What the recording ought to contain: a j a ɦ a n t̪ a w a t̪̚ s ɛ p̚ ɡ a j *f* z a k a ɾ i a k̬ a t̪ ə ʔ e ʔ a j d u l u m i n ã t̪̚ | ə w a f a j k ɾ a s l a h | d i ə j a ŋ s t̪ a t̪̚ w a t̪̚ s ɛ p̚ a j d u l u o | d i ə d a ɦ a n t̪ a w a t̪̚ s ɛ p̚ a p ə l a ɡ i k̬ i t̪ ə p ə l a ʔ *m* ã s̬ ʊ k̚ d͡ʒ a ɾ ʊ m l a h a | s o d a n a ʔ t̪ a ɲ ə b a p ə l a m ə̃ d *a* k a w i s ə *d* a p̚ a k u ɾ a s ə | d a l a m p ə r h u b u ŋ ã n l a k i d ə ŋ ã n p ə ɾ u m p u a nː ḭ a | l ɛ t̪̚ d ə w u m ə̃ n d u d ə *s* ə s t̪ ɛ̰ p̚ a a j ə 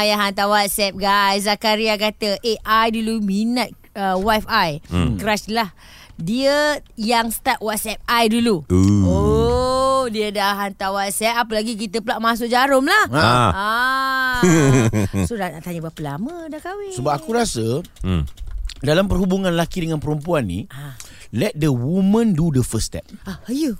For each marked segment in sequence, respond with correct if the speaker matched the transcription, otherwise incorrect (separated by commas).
incorrect, correct, correct, incorrect, incorrect